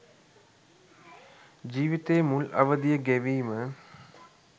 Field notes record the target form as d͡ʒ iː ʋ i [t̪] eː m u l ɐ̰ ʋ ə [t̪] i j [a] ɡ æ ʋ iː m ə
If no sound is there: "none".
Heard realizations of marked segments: t̪, d̪, ə

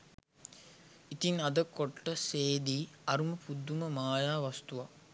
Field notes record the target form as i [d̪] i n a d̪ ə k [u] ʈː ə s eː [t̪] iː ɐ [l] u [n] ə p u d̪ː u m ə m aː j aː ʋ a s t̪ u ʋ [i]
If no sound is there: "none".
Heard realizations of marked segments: t̪, o, d̪, ɾ, m, a

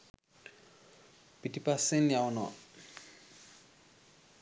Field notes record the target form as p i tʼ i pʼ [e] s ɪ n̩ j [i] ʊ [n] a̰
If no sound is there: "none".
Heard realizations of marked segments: a, a, n

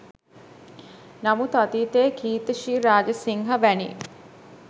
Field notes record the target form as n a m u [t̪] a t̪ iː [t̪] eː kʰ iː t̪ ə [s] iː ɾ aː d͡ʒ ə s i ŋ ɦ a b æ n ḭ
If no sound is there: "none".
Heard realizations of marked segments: t̪, t̪, ʃ

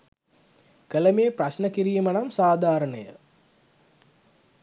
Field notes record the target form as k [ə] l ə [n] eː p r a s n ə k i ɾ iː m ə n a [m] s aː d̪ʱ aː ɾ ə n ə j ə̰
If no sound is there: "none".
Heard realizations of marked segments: ə, m, m

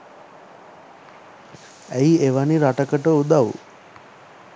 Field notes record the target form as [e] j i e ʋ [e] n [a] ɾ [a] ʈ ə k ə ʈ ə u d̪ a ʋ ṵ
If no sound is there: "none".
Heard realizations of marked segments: æ, a, i, a

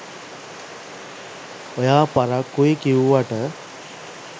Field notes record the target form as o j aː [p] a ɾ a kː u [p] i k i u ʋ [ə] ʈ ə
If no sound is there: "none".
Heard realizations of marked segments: p, none, a

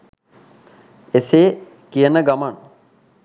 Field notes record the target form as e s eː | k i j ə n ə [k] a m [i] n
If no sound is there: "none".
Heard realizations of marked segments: ɡ, a

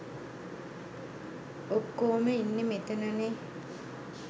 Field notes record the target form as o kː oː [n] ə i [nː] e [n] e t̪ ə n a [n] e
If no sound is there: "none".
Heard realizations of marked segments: m, nː, m, n

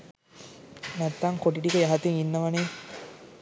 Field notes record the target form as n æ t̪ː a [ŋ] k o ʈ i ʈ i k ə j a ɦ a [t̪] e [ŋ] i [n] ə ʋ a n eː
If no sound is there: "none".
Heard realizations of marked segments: ŋ, t̪, ŋ, nː

